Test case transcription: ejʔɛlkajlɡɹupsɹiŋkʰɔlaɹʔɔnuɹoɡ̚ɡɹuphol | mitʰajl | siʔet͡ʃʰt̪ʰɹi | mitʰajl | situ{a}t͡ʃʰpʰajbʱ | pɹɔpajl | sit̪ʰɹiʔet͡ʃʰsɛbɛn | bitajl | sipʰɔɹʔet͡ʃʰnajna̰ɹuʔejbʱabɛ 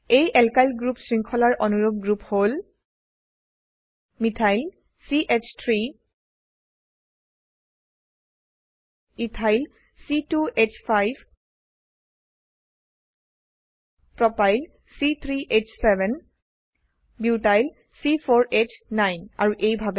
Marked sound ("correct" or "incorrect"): incorrect